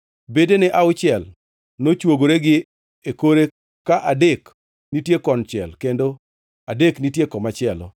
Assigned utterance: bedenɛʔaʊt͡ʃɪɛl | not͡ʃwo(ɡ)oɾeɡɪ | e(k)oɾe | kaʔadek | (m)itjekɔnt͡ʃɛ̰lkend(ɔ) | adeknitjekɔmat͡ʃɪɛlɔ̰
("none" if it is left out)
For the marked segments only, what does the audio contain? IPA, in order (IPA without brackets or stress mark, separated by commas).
ɡ, k, n, o